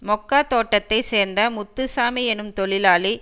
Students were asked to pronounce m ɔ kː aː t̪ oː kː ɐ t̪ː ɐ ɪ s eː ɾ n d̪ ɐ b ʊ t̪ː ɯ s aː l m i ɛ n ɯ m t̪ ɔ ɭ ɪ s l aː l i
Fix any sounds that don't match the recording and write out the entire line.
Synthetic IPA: m ɔ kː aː t̪ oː ʈː ɐ t̪ː ɐ ɪ s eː ɾ n d̪ ɐ m ʊ t̪ː ɯ s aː m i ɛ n ɯ m t̪ ɔ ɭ ɪ l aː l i